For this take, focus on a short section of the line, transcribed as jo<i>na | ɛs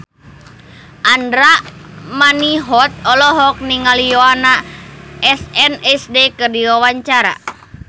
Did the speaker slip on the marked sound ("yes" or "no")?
yes